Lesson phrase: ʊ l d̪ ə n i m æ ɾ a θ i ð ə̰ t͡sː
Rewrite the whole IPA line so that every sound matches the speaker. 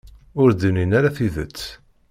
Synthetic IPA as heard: ʊ ɾ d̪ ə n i n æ ɾ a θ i ð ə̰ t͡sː